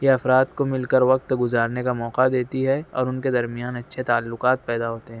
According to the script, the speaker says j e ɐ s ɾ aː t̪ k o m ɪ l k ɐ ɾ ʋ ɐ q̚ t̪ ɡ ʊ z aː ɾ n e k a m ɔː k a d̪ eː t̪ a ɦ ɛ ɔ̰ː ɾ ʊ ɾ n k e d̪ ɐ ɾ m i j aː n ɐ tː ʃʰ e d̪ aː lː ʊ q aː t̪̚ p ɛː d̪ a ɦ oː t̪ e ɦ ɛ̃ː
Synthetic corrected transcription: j e ɐ f ɾ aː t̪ k o m ɪ l k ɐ ɾ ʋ ɐ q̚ t̪ ɡ ʊ z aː ɾ n e k a m ɔː q a d̪ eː t̪ i ɦ ɛ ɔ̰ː ɾ ʊ n k e d̪ ɐ ɾ m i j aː n ɐ tː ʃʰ e t̪ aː lː ʊ q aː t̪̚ p ɛː d̪ a ɦ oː t̪ e ɦ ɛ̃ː